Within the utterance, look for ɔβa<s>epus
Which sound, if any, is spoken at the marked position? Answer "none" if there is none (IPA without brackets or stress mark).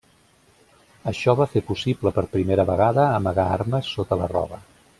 f